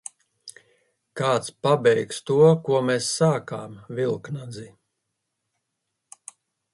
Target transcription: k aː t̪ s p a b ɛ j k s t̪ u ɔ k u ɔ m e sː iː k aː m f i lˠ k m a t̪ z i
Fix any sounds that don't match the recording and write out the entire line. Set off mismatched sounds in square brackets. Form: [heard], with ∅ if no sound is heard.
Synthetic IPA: k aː t̪ s p a b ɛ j k s t̪ u ɔ k u ɔ m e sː [aː] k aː m [v] i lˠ k [n] a [d̪] z i